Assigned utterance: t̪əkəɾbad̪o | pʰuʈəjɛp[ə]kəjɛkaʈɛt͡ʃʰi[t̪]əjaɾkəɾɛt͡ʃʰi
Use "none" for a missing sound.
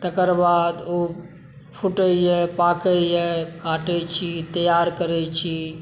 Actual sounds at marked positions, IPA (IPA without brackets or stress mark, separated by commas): a, t̪